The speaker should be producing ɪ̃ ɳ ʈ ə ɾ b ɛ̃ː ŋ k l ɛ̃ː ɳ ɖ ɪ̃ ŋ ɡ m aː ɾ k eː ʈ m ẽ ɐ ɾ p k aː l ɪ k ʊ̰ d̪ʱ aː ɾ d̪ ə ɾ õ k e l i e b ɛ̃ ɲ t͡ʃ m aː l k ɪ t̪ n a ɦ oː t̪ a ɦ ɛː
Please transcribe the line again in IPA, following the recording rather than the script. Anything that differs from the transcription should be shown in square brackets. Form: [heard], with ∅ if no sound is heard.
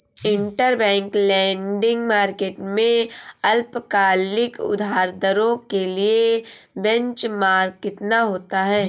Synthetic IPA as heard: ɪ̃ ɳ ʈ ə ɾ b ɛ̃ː ŋ k l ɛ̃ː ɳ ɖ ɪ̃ ŋ ɡ m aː ɾ k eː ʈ m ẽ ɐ [l] p k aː l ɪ k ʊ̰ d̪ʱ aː ɾ d̪ ə ɾ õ k e l i e b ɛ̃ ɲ t͡ʃ m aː [ɾ] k ɪ t̪ n a ɦ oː t̪ a ɦ ɛː